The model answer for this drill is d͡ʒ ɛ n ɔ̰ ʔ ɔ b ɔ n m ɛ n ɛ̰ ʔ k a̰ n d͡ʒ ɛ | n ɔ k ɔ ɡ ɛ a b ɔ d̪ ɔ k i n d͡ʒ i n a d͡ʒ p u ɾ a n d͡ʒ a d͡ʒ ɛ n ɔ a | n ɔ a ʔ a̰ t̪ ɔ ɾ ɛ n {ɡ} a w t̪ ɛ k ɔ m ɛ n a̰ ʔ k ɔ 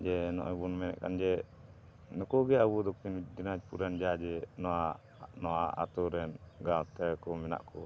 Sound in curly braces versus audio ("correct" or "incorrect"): correct